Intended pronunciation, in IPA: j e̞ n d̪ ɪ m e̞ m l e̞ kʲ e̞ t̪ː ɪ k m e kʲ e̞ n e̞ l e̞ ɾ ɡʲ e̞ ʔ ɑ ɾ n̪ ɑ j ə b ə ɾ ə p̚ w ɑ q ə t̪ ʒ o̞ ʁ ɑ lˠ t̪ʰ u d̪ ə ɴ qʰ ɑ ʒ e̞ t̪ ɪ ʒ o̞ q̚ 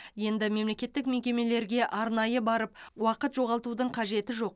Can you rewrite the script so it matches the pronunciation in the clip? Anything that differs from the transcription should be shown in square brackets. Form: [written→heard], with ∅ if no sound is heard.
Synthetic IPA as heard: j e̞ n d̪ ɪ m e̞ m l e̞ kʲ e̞ t̪ː ɪ k m e kʲ e̞ [n→m] e̞ l e̞ ɾ ɡʲ e̞ ʔ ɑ ɾ n̪ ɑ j ə b [ə→ɑ] ɾ ə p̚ w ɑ q ə t̪ ʒ o̞ ʁ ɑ lˠ [t̪ʰ→t̪] u d̪ ə ɴ qʰ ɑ ʒ e̞ t̪ ɪ ʒ o̞ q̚